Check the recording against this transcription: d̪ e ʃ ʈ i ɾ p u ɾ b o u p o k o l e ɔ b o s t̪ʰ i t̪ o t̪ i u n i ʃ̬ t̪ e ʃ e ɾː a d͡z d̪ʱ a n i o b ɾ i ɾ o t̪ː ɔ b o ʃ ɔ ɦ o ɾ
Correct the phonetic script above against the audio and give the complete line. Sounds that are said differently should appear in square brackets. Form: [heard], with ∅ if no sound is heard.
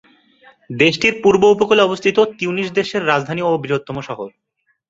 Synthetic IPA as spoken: d̪ e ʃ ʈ i ɾ p u ɾ b o u p o k o l e ɔ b o s t̪ʰ i t̪ o t̪ i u n i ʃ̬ [d̪] e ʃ e ɾː a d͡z d̪ʱ a n i o b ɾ i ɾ o t̪ː ɔ [m] o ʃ ɔ ɦ o ɾ